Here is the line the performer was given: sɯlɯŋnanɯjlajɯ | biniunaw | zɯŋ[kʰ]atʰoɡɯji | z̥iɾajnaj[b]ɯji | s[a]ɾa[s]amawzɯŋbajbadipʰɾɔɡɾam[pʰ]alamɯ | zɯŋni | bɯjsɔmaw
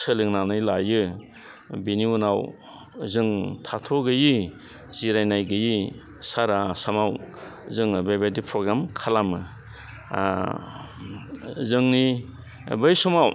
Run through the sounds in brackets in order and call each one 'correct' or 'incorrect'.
incorrect: tʰ, incorrect: ɡ, correct, correct, incorrect: kʰ

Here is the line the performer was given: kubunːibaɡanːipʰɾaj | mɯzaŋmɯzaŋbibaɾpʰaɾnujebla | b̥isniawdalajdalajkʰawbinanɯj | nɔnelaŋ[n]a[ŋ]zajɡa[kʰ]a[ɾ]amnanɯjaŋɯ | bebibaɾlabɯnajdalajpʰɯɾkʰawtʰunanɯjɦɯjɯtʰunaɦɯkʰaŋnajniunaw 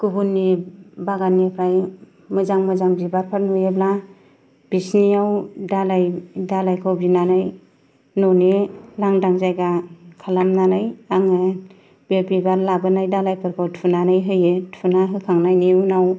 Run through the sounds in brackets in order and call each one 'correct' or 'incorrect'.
incorrect: d, correct, correct, incorrect: l

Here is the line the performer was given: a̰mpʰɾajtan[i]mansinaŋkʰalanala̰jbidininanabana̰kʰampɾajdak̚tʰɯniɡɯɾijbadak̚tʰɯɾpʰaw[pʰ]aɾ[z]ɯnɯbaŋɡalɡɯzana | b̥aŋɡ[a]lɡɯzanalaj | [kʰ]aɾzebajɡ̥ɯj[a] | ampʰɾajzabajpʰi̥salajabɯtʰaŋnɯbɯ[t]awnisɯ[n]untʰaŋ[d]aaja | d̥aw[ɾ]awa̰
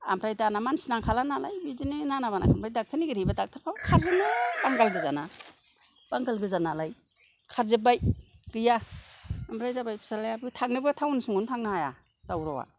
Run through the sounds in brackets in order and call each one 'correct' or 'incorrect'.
incorrect: a, incorrect: kʰ, correct, correct, correct, correct, incorrect: tʰ, incorrect: ŋ, incorrect: n, correct

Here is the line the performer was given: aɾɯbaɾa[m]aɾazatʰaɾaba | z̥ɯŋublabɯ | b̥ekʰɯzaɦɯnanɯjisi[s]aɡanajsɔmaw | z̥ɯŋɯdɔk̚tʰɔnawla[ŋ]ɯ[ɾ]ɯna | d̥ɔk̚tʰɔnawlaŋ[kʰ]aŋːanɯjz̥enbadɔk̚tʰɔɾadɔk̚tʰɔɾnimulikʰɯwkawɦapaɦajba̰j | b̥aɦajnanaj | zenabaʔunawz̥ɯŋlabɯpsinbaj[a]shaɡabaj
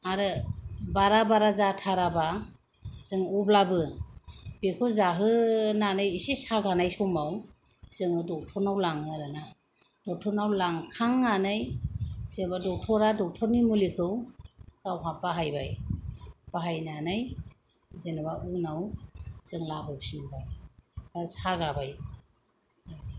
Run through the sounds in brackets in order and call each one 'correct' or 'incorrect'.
incorrect: b, correct, correct, correct, correct, correct

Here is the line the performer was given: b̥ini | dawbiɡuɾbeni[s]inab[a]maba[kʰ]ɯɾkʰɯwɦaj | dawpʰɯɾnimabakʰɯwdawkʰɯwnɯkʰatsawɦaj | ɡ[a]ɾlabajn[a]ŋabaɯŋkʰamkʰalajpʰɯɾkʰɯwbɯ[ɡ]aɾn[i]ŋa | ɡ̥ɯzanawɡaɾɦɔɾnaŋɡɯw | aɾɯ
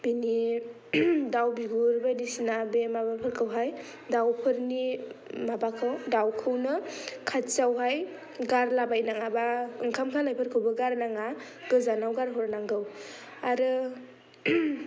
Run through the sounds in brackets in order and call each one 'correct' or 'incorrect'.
correct, incorrect: e, incorrect: pʰ, correct, correct, correct, incorrect: a

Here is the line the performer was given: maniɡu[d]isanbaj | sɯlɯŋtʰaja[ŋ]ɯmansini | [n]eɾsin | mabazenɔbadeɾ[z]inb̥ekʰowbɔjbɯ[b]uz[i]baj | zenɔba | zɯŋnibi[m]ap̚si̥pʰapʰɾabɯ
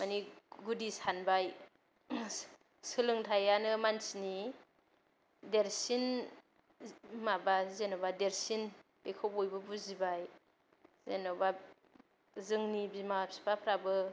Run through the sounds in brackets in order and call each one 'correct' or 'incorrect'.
correct, incorrect: n, incorrect: d, incorrect: s, correct, correct, correct

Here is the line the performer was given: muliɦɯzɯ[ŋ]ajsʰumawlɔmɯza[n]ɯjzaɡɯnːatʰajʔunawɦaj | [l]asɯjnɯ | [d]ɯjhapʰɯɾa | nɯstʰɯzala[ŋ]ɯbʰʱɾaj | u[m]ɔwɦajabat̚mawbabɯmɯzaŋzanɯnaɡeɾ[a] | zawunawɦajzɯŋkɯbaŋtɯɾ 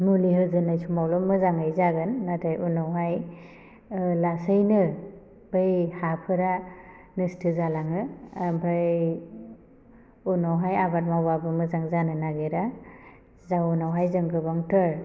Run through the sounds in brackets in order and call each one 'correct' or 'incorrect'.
incorrect: n, incorrect: ŋ, correct, incorrect: b, correct, incorrect: n, correct

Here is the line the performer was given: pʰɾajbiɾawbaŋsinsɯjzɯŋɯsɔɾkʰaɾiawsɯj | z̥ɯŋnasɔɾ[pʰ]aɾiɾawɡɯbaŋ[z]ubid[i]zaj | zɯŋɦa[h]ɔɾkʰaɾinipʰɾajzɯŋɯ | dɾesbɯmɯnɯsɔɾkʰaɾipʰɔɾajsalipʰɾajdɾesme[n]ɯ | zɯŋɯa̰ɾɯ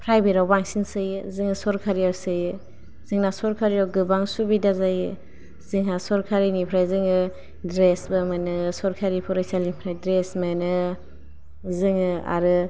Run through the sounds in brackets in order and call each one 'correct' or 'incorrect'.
incorrect: kʰ, incorrect: s, incorrect: a, incorrect: s, correct

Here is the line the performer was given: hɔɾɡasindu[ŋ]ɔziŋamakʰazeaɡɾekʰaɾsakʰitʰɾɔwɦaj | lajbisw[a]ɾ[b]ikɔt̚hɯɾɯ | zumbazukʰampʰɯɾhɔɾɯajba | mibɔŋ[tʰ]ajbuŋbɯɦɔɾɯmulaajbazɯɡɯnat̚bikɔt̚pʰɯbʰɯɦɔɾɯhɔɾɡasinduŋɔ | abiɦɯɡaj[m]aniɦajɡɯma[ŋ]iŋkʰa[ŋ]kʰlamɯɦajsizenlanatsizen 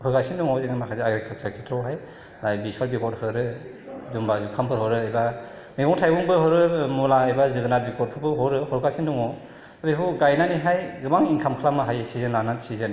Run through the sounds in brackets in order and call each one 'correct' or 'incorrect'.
correct, correct, correct, correct, incorrect: n, correct, incorrect: m

